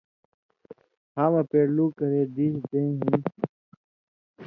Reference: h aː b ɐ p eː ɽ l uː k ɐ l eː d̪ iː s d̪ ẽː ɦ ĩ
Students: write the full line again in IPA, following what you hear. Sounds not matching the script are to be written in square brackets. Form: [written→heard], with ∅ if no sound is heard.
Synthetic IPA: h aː [b→m] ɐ p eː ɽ l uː k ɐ [l→ɾ] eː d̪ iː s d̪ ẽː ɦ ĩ